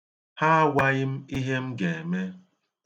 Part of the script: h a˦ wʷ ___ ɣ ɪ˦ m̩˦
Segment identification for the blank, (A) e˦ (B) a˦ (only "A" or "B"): B